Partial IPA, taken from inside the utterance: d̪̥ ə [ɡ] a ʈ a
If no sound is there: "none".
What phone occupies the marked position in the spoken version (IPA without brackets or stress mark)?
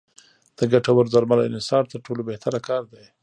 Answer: ɡ